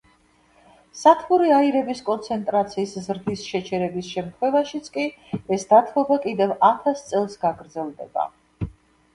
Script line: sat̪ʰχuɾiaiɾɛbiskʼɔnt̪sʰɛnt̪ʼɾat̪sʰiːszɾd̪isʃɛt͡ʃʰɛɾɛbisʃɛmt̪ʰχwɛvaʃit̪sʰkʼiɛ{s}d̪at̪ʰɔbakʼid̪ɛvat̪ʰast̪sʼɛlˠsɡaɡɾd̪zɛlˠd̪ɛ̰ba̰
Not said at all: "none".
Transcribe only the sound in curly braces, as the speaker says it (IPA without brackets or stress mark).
s